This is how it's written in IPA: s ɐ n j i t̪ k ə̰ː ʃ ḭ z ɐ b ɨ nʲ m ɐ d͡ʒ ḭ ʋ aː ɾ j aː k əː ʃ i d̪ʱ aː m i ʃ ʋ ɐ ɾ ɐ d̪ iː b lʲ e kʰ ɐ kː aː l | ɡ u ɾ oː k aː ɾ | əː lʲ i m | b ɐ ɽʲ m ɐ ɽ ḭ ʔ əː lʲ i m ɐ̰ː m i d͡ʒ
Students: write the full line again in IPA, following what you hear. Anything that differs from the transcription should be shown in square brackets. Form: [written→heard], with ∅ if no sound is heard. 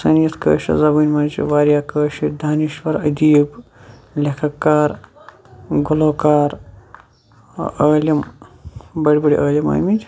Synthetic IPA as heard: s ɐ n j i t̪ k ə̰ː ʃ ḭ z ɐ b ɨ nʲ m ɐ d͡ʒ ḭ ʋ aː ɾ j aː k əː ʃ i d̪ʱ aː [m→n] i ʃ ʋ ɐ ɾ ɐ d̪ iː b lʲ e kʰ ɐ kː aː [l→ɾ] | ɡ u [ɾ→l] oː k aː ɾ | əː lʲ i m | b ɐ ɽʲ [m→b] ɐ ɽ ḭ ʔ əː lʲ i m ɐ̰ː m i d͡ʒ

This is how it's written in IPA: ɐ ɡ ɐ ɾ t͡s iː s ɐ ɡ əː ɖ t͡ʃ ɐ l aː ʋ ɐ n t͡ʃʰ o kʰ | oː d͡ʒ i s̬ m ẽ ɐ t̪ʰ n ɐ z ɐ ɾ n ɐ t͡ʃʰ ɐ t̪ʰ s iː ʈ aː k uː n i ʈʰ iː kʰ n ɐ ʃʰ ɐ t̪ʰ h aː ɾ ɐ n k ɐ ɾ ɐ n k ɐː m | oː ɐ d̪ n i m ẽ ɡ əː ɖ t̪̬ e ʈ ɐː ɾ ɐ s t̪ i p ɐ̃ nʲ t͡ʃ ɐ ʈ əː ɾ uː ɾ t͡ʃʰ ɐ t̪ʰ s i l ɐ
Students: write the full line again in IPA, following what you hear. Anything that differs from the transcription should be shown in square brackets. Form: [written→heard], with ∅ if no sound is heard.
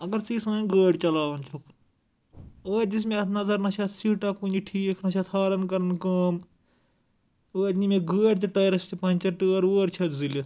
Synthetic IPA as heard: ɐ ɡ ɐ ɾ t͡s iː s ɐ ɡ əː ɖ t͡ʃ ɐ l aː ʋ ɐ n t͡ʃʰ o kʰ | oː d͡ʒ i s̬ m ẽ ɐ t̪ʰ n ɐ z ɐ ɾ n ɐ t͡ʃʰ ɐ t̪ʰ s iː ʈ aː k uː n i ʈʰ iː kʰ n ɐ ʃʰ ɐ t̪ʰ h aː ɾ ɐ n k ɐ ɾ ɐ n k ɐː m | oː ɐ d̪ n i m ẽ ɡ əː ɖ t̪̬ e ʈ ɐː ɾ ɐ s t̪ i p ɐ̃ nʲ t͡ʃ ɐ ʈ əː ɾ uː ɾ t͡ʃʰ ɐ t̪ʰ [s→z] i l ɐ

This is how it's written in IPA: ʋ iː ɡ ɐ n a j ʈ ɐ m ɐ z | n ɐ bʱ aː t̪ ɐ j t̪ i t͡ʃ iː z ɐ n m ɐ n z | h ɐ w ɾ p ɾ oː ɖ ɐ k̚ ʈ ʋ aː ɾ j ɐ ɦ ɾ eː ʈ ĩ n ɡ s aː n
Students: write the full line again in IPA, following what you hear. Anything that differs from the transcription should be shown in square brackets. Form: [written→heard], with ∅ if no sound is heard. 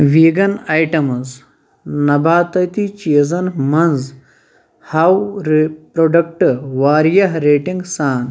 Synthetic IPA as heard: ʋ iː ɡ ɐ n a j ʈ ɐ m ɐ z | n ɐ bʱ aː t̪ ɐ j t̪ i t͡ʃ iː z ɐ n m ɐ n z | h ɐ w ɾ p ɾ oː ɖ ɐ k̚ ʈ ʋ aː ɾ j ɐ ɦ ɾ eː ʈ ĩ [n→ŋ] ɡ s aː n

